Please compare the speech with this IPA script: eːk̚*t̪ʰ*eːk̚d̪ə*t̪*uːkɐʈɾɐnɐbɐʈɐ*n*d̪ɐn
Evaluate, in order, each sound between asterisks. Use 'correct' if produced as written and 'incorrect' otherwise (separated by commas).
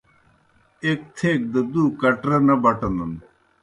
correct, incorrect, correct